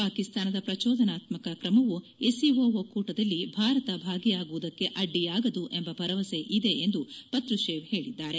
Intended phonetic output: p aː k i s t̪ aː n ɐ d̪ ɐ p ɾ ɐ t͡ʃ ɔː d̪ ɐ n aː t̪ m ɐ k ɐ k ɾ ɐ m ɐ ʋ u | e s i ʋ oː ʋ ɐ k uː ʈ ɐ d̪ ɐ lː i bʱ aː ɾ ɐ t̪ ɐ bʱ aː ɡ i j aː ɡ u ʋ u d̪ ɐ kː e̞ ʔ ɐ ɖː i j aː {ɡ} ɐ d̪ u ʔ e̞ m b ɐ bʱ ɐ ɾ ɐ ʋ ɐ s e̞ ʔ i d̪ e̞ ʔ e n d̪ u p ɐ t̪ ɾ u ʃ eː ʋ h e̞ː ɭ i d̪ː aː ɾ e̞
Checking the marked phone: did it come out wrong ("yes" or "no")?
no